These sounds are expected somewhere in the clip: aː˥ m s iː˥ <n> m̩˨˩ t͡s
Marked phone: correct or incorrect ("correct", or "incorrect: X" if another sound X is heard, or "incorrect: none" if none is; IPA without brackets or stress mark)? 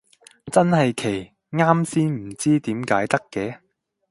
correct